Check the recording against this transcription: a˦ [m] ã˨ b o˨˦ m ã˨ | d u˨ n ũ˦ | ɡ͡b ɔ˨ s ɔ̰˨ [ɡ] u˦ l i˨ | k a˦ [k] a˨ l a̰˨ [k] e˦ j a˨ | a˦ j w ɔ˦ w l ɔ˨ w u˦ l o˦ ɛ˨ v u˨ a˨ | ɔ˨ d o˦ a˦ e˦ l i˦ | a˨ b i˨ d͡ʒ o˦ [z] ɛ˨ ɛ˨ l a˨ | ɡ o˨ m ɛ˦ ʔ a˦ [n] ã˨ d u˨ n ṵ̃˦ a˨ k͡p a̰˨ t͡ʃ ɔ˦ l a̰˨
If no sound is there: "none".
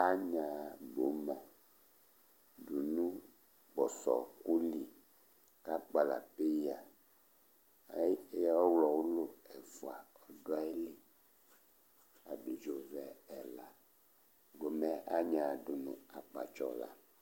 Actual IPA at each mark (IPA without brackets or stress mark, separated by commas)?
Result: ɲ, k, k͡p, p, v, ɲ